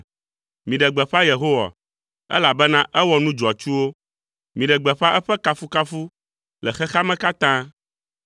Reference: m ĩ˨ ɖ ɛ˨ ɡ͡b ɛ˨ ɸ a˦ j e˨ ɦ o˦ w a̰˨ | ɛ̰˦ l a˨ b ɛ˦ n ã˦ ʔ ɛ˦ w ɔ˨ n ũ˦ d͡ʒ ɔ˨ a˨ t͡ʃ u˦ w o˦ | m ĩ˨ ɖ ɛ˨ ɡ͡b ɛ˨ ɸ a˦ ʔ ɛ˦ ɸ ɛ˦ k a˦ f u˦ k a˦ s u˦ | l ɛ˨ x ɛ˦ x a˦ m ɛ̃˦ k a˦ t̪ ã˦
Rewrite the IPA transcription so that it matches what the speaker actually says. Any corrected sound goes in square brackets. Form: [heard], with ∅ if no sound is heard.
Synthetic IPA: m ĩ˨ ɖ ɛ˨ ɡ͡b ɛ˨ ɸ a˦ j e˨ ɦ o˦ w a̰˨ | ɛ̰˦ l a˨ b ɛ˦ n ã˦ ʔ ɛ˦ w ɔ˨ n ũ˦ d͡ʒ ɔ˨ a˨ t͡ʃ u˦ w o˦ | m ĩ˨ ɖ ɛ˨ ɡ͡b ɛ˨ ɸ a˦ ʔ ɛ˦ ɸ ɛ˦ k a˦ f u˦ k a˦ [f] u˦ | l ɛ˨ x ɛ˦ x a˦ m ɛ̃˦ k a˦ t̪ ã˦